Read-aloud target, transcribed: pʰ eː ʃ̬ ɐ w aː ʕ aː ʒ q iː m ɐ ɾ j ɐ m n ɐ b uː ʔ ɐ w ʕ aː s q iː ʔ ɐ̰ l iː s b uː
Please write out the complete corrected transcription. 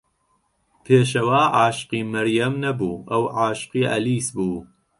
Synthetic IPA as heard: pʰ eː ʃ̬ ɐ w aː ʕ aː ʃ q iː m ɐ ɾ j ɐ m n ɐ b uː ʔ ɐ w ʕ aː ʃ q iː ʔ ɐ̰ l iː s b uː

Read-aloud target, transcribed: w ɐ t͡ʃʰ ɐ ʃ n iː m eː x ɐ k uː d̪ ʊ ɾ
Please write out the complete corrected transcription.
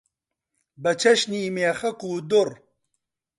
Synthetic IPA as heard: b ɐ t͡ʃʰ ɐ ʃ n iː m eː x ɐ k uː d̪ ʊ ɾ

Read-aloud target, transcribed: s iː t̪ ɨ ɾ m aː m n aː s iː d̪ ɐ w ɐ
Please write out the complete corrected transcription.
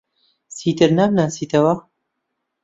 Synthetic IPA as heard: s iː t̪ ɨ ɾ n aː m n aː s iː t̪ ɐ w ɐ

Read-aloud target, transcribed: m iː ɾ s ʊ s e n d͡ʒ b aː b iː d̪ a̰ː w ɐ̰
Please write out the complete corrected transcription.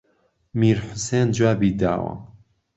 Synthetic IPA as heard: m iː ɾ ħ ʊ s e n d͡ʒ w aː b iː d̪ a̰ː w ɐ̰

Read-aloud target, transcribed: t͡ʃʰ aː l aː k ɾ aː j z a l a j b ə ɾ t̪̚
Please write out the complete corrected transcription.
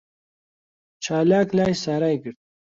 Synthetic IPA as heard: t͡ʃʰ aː l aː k l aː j s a ɾ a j ɡ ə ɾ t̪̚

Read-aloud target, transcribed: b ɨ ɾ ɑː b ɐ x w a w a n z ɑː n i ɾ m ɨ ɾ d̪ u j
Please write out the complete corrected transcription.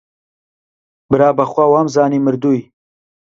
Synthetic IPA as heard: b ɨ ɾ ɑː b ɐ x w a w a m z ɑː n i m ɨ ɾ d̪ u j

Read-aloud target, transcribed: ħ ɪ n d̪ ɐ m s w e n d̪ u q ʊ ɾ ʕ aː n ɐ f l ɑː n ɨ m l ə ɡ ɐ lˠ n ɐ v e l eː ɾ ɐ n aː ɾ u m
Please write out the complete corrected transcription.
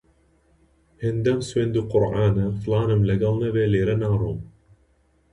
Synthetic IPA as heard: h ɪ n d̪ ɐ m s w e n d̪ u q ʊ ɾ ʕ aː n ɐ f l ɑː n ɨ m l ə ɡ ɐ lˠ n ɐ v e l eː ɾ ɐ n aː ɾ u m

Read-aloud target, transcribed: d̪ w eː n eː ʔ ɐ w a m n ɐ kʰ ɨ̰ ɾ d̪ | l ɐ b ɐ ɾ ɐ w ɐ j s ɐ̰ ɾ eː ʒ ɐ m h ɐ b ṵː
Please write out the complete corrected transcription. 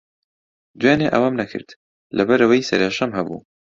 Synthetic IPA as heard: d̪ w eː n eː ʔ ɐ w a m n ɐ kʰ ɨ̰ ɾ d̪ | l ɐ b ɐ ɾ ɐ w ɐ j s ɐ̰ ɾ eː ʃ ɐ m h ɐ b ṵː

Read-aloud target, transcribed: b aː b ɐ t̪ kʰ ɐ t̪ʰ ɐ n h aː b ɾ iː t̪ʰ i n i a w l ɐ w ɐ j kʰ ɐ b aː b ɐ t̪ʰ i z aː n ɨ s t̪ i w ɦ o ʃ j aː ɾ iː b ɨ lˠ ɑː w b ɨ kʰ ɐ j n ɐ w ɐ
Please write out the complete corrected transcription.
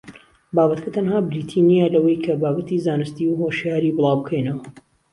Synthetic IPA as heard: b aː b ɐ t̪ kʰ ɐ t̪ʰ ɐ n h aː b ɾ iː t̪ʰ i n i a l ɐ w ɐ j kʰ ɐ b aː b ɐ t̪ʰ i z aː n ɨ s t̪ i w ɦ o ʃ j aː ɾ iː b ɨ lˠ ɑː w b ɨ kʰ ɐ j n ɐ w ɐ

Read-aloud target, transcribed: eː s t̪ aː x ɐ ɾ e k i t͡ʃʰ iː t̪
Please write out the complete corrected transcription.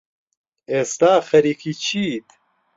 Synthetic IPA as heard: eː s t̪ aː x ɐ ɾ i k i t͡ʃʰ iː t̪

